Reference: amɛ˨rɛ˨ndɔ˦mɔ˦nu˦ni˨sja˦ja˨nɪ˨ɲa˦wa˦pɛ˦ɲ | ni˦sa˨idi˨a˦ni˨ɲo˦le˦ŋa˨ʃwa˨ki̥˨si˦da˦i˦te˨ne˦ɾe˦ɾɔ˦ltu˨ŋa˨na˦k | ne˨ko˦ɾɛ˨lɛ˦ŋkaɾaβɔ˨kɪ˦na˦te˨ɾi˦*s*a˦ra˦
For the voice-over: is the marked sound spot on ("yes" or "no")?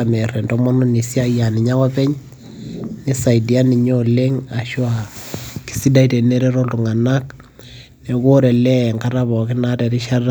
no